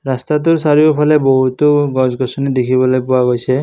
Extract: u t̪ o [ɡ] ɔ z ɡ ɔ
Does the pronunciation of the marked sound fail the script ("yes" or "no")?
no